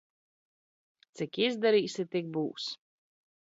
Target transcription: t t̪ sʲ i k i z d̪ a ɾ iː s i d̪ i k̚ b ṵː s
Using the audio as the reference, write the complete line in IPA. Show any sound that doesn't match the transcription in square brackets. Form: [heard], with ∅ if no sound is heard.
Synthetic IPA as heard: t t̪ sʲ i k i z d̪ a ɾ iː s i [t̪] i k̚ b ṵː s